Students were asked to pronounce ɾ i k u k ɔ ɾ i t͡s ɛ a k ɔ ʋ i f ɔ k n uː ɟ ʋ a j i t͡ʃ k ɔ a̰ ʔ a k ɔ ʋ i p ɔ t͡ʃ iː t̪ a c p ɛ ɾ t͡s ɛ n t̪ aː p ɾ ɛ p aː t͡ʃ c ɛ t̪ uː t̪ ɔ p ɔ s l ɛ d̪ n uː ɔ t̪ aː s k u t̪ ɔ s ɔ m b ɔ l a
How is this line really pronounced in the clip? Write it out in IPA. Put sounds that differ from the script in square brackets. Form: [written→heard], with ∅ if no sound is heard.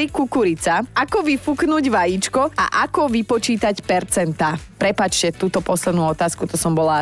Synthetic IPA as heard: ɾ i k u k [ɔ→u] ɾ i t͡s [ɛ→a] a k ɔ ʋ i f [ɔ→u] k n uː ɟ ʋ a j i t͡ʃ k ɔ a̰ ʔ a k ɔ ʋ i p ɔ t͡ʃ iː t̪ a c p ɛ ɾ t͡s ɛ n t̪ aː p ɾ ɛ p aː t͡ʃ c ɛ t̪ uː t̪ ɔ p ɔ s l ɛ d̪ n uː ɔ t̪ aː s k u t̪ ɔ s ɔ m b ɔ l a